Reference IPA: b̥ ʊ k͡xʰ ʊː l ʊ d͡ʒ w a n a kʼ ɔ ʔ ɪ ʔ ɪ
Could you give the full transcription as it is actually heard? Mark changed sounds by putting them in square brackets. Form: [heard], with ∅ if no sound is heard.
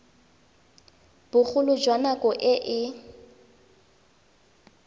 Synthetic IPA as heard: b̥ ʊ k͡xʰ [ʊ] l ʊ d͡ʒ w a n a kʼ ɔ ʔ ɪ ʔ ɪ